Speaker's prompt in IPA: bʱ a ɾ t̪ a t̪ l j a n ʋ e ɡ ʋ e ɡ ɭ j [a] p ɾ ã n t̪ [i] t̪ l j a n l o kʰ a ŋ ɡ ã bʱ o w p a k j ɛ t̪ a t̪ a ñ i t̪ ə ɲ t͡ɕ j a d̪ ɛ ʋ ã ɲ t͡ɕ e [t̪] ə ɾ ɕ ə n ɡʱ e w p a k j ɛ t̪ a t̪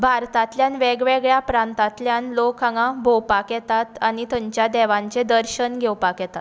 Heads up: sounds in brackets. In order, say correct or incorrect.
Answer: correct, incorrect: a, incorrect: d̪

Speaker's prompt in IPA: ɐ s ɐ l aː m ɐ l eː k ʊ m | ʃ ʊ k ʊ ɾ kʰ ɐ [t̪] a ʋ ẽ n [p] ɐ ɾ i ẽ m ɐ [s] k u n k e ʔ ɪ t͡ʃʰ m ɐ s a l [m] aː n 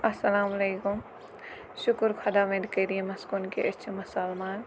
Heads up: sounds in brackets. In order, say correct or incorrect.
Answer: incorrect: d̪, incorrect: k, correct, correct

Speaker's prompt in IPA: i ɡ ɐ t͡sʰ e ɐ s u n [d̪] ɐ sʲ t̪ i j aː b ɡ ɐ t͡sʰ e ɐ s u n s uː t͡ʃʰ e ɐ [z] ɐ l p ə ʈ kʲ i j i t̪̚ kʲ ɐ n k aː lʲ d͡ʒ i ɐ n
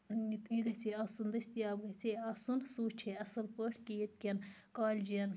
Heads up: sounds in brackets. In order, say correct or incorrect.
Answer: correct, incorrect: s

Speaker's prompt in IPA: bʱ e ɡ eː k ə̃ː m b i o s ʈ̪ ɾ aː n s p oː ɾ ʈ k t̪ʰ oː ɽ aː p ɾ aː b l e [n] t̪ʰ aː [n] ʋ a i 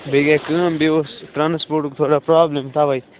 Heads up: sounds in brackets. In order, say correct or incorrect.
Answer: incorrect: m, incorrect: none

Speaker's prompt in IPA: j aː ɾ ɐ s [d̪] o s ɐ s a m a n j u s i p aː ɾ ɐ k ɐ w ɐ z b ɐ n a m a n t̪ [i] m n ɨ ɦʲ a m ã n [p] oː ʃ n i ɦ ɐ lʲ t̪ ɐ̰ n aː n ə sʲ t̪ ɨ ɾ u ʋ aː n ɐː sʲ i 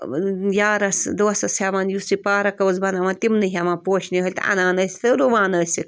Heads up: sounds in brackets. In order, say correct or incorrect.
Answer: correct, correct, correct

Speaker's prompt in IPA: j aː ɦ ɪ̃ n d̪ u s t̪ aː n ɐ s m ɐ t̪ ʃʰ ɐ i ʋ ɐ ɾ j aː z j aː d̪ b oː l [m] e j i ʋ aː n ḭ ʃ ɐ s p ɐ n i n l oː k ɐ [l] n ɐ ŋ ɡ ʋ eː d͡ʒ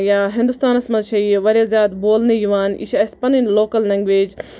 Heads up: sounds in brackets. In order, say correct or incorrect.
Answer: incorrect: n, correct

